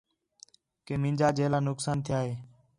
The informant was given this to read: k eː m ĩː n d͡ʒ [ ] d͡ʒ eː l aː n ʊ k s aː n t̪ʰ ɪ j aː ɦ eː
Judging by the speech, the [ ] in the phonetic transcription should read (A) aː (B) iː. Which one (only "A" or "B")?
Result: A